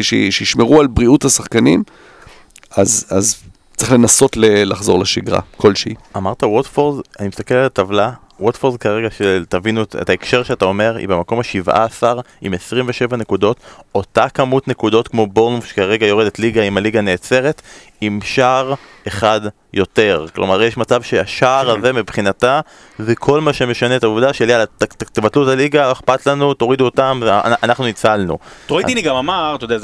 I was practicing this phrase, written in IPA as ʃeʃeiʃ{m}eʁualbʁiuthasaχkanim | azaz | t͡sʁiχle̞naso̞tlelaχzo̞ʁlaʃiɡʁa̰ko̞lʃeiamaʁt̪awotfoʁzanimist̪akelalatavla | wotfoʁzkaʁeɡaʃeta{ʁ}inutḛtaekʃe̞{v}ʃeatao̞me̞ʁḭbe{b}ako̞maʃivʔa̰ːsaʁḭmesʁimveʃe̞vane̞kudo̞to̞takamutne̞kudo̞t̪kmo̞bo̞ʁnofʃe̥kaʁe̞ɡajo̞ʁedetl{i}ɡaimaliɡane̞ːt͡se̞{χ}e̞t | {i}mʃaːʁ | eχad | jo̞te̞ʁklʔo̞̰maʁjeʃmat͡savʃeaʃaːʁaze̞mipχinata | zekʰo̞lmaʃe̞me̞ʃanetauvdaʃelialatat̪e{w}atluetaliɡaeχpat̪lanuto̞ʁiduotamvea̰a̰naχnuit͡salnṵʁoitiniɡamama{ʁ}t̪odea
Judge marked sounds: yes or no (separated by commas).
yes, no, no, no, yes, no, yes, no, yes